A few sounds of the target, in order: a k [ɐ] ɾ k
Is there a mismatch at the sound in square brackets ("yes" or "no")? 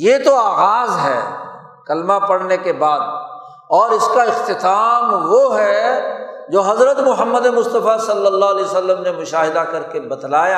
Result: no